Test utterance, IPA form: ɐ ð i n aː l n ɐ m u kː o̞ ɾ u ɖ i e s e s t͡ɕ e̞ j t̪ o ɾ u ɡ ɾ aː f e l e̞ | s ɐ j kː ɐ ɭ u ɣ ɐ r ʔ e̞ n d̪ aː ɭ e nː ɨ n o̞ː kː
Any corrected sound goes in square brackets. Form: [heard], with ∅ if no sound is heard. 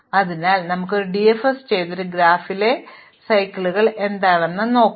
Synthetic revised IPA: ɐ ð i n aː l n ɐ m u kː o̞ ɾ u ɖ i e [f] e s t͡ɕ e̞ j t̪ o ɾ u ɡ ɾ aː f [i] l e̞ | s ɐ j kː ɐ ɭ u ɣ ɐ [ɭ] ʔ e̞ n d̪ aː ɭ e nː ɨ n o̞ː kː